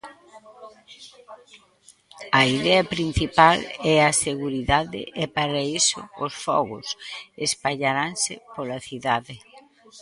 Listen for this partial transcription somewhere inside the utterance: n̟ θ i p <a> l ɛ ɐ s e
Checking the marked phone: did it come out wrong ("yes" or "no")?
no